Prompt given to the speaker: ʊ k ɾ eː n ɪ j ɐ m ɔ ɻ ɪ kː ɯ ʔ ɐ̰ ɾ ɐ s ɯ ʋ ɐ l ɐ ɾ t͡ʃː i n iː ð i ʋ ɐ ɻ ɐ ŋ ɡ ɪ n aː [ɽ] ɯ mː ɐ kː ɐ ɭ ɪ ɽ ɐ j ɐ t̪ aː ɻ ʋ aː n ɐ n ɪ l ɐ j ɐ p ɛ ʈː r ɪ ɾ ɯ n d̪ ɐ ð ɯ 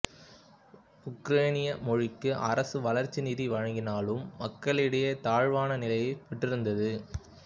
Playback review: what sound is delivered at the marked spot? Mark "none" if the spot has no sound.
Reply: l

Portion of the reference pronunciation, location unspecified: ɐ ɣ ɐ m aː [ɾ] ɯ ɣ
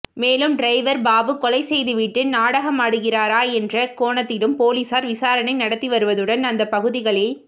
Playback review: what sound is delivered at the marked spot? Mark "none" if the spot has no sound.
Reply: ɽ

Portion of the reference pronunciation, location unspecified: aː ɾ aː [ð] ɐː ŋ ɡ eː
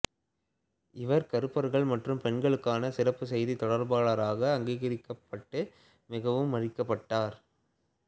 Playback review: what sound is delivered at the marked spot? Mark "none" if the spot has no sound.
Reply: ɣ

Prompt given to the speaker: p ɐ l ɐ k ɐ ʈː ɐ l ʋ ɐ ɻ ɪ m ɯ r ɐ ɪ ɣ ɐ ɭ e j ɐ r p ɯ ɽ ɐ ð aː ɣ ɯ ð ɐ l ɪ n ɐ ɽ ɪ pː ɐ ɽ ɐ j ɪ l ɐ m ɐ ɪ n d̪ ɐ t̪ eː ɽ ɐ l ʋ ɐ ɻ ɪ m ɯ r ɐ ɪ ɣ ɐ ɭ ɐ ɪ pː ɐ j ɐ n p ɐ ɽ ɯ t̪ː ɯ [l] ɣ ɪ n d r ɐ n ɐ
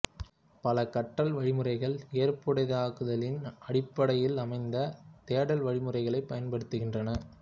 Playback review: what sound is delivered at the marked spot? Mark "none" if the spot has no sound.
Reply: none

